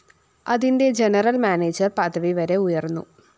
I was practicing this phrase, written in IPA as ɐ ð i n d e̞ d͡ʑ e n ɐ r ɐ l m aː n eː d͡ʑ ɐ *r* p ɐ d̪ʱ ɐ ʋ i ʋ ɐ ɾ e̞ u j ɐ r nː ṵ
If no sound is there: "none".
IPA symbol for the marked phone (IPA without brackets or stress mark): r